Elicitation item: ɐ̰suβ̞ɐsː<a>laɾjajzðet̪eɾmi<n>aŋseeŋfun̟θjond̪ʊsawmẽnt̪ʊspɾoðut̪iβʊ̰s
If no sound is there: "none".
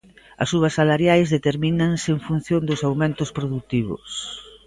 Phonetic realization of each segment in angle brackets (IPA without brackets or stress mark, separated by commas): a, n